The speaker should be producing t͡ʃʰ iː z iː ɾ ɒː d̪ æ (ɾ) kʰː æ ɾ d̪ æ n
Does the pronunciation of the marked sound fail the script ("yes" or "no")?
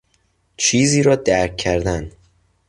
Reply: no